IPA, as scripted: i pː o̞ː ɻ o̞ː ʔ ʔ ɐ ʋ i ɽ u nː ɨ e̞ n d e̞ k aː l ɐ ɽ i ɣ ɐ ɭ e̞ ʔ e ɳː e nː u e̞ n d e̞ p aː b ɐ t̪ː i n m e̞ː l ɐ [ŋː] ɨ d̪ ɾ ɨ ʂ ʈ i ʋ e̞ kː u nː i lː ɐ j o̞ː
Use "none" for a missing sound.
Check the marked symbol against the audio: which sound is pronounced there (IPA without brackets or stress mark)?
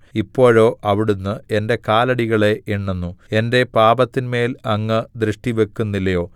ŋː